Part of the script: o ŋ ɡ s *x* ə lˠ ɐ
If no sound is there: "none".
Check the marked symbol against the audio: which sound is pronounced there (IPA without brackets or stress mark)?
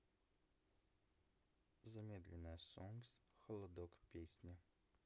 x